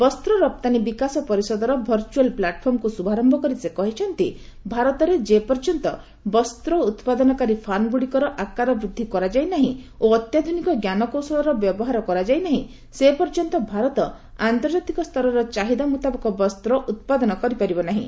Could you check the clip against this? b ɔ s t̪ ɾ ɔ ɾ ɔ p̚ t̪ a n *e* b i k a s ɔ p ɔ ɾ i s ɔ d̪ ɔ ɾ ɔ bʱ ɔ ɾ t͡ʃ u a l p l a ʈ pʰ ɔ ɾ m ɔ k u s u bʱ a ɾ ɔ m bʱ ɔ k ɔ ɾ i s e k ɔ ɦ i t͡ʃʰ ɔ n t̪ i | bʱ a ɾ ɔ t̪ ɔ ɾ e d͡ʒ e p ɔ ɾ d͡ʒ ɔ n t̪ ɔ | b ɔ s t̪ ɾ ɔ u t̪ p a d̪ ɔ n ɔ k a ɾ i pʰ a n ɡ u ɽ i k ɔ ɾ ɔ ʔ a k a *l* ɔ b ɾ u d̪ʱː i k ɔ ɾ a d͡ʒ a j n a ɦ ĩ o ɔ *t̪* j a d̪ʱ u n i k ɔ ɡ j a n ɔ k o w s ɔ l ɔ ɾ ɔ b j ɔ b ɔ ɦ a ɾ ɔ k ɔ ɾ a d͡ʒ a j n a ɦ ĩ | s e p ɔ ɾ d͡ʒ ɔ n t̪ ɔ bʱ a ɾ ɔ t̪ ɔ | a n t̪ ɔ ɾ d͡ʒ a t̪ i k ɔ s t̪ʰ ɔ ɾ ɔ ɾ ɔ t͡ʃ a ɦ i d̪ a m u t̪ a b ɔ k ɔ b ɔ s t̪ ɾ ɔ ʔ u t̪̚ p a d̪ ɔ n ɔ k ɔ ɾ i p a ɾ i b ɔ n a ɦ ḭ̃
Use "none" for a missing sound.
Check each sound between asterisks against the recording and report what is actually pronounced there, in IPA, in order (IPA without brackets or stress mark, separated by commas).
i, ɾ, t̪